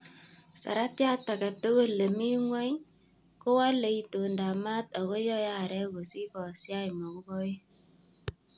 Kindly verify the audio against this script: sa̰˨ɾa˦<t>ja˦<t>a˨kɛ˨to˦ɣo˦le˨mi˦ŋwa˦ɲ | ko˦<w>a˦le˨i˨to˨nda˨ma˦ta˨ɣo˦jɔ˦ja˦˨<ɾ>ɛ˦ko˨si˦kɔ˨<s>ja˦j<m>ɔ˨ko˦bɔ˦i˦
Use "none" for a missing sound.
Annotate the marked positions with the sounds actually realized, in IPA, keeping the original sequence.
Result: t, t, w, ɾ, s, m

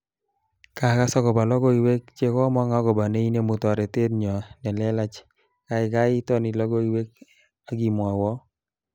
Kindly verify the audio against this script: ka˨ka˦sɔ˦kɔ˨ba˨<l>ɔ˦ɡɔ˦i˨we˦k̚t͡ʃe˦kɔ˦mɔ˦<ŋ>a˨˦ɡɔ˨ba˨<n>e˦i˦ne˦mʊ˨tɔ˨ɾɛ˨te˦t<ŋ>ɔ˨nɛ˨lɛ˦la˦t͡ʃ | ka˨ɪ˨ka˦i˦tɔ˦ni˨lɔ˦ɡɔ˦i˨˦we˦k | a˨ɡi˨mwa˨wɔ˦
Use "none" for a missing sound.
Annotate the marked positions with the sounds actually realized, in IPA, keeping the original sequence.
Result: l, ŋ, n, ɲ

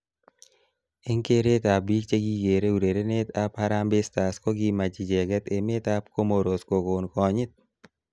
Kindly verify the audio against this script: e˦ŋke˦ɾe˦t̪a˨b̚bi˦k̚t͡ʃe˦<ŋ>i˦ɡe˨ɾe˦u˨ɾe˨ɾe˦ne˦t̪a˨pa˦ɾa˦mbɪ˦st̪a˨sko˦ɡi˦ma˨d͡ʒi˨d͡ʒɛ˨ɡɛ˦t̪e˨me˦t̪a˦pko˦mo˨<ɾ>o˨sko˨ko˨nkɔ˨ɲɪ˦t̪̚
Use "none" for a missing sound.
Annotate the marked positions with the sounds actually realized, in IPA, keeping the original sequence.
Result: ɡ, ɾ

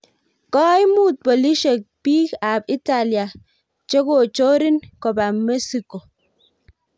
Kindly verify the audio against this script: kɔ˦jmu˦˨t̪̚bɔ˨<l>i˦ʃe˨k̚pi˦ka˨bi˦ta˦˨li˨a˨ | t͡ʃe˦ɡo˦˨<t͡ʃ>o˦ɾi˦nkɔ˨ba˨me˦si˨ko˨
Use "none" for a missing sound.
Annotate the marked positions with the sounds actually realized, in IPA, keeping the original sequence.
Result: l, t͡ʃ

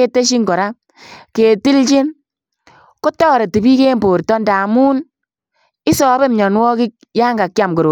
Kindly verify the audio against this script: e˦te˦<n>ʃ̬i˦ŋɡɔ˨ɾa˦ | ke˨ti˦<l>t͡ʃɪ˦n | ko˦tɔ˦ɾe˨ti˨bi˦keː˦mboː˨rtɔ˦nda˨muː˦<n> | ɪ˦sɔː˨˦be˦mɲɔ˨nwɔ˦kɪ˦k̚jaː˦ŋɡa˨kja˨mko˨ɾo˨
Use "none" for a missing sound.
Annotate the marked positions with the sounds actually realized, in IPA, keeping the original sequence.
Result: none, l, n

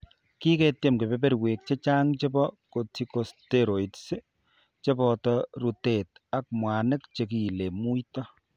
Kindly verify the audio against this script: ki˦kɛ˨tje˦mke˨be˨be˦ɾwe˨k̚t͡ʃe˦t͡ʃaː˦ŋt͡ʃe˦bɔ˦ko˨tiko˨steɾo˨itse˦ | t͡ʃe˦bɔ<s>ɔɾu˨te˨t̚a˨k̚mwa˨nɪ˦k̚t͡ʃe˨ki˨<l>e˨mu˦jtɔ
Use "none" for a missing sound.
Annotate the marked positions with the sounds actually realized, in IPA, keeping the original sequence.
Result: t, l

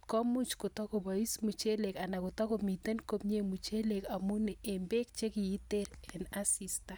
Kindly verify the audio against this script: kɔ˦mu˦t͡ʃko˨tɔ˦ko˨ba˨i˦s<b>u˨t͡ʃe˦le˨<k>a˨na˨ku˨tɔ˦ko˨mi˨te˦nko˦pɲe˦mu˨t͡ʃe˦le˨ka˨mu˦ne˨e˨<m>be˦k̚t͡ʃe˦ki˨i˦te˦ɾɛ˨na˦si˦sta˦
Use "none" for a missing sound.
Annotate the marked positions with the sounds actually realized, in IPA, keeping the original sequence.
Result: m, k, m

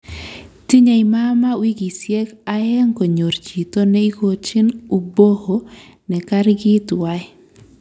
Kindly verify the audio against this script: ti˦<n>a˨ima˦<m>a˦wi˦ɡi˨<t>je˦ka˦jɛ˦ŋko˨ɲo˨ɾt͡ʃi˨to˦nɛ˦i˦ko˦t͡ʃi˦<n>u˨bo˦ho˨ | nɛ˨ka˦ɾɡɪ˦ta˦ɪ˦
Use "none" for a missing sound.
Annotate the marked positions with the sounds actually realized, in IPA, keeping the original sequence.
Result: ɲ, m, s, n

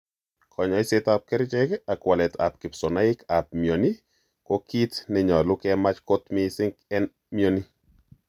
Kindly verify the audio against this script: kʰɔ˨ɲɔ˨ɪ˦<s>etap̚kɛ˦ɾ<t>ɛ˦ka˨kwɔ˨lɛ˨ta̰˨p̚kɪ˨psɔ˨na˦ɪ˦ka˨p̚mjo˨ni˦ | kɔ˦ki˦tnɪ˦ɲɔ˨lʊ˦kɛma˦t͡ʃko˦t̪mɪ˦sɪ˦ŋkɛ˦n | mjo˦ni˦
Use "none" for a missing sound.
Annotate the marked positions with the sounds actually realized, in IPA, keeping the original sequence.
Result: s, t͡ʃ

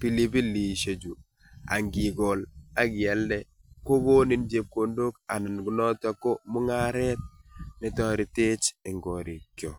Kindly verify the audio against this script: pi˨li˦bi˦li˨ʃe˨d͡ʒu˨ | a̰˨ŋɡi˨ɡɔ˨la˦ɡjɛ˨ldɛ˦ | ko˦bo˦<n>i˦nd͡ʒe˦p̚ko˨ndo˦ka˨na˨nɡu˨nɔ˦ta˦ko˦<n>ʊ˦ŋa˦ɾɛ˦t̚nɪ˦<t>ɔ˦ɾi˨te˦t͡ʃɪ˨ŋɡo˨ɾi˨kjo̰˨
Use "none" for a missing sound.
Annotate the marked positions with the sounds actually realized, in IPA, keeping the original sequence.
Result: n, m, t

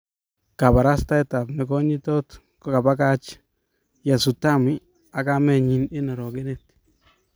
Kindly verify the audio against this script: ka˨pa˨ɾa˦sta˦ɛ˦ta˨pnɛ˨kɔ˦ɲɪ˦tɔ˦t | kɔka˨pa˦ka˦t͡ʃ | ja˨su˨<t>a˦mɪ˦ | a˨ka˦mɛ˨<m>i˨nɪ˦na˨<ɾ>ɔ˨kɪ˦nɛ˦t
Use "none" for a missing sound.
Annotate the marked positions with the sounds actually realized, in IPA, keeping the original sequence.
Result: t, ɲ, ɾ

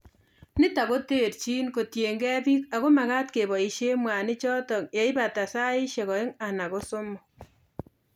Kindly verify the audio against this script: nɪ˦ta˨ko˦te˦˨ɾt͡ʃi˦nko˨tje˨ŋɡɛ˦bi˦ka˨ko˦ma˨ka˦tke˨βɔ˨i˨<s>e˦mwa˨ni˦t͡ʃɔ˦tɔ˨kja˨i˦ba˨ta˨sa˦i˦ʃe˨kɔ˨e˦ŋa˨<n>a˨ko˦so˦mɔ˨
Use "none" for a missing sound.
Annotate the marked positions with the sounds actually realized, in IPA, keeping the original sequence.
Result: ʃ, n

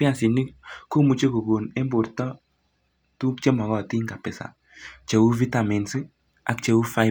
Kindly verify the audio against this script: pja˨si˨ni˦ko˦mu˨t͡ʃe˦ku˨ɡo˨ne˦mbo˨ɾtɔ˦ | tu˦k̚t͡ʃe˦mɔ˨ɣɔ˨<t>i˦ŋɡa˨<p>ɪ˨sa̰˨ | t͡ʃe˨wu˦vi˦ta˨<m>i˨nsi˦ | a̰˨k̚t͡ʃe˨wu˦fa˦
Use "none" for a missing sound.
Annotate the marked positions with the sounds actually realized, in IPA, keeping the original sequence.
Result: t, p, m

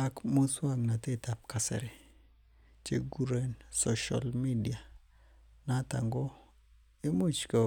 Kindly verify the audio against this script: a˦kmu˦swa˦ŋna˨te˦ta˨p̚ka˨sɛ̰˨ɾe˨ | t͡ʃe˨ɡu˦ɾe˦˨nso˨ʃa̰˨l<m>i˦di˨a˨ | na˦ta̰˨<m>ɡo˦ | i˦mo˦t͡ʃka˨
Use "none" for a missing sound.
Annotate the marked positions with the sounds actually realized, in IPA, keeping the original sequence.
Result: m, ŋ

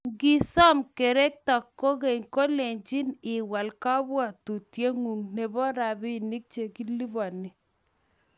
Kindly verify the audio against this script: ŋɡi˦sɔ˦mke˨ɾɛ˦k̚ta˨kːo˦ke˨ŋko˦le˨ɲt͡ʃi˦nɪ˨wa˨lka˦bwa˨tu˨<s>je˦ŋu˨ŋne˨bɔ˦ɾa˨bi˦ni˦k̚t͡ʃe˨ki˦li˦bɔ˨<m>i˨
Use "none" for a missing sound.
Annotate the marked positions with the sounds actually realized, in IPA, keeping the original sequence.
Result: t, n

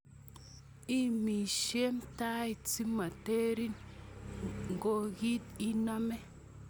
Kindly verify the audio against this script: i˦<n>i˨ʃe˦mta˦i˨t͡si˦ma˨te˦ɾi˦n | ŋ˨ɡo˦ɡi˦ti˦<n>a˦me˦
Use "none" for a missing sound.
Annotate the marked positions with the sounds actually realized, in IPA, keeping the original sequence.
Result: m, n

